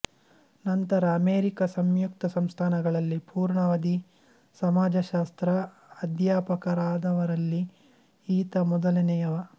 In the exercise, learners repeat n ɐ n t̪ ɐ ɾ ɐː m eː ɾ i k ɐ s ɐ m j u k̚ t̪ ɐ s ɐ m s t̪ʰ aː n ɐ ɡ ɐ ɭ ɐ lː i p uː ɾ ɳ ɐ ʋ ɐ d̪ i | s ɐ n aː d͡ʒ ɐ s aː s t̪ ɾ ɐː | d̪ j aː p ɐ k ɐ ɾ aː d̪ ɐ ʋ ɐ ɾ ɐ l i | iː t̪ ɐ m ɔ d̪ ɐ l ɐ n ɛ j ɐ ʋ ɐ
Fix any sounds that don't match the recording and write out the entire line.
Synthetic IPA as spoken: n ɐ n t̪ ɐ ɾ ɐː m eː ɾ i k ɐ s ɐ m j u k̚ t̪ ɐ s ɐ m s t̪ʰ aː n ɐ ɡ ɐ ɭ ɐ lː i p uː ɾ ɳ ɐ ʋ ɐ d̪ i | s ɐ m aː d͡ʒ ɐ ʃ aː s t̪ ɾ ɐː | d̪ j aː p ɐ k ɐ ɾ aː d̪ ɐ ʋ ɐ ɾ ɐ lː i | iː t̪ ɐ m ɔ d̪ ɐ l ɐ n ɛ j ɐ ʋ ɐ